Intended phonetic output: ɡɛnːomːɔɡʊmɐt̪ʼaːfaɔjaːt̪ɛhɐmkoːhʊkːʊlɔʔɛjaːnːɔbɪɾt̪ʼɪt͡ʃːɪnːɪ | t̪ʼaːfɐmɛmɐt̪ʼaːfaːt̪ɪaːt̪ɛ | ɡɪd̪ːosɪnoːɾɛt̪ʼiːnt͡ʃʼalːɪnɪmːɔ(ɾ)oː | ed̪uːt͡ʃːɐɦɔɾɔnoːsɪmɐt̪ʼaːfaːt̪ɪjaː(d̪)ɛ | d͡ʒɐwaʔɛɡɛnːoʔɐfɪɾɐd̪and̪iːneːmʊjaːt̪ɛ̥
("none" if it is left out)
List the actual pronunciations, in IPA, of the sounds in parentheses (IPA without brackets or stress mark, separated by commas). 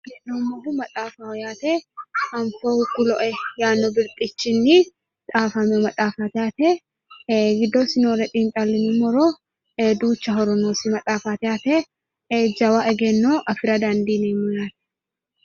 ɾ, t̪